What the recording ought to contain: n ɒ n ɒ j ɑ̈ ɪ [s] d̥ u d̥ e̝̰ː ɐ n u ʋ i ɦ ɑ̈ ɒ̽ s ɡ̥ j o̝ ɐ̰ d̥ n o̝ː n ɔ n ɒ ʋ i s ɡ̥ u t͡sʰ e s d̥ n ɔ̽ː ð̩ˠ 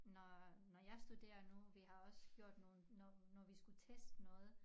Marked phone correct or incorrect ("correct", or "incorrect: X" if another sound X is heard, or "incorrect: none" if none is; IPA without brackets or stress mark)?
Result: correct